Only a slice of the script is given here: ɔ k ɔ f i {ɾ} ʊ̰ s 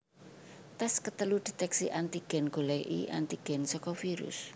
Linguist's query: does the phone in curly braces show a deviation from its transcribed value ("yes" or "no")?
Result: no